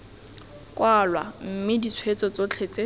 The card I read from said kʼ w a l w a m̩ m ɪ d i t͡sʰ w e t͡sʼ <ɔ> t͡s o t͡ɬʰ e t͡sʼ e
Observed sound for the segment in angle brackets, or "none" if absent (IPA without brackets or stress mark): ɔ